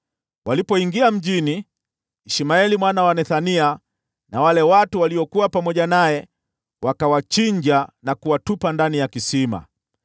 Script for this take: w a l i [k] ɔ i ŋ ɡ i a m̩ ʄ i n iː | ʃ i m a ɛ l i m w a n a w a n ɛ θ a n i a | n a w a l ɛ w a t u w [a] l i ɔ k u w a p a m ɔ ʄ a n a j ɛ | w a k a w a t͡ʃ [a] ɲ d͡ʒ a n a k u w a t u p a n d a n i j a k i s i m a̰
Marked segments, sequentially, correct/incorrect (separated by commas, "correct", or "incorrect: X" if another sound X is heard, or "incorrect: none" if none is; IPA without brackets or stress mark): incorrect: p, correct, incorrect: i